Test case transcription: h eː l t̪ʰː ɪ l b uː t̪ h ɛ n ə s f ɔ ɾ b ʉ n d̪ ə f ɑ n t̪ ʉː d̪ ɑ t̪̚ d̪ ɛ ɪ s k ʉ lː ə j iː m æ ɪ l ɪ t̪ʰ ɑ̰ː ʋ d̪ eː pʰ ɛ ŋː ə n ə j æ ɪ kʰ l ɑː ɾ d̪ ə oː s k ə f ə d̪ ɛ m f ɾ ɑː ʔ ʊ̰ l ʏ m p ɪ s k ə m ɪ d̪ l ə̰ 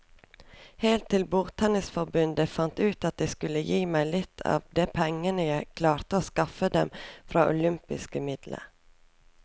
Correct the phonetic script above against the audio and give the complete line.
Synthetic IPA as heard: h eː l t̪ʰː ɪ l b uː t̪ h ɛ n ə s f ɔ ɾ b ʉ n d̪ ə f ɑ n t̪ ʉː t̪ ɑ t̪̚ d̪ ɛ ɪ s k ʉ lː ə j iː m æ ɪ l ɪ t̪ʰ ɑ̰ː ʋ d̪ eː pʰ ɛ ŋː ə n ə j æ ɪ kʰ l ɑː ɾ t̪ ə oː s k ɑ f ə d̪ ɛ m f ɾ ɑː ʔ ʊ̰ l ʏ m p ɪ s k ə m ɪ d̪ l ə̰